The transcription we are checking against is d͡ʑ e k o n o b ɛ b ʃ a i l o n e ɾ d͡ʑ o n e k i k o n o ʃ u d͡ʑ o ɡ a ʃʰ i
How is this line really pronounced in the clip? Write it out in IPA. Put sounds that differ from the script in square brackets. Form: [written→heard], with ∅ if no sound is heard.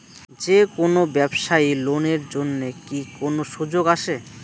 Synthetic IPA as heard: d͡ʑ e k o n o b ɛ b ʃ a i l o n e ɾ d͡ʑ o [n→nː] e k i k o n o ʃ u d͡ʑ o ɡ a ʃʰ [i→e]